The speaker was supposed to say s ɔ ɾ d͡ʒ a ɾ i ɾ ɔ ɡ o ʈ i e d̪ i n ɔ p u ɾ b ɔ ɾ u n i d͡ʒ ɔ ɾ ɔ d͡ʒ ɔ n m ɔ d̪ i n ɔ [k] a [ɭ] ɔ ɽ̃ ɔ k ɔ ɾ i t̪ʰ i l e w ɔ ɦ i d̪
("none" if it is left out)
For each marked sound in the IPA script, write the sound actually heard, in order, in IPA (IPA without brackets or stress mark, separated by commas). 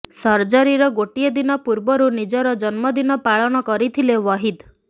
p, ɭ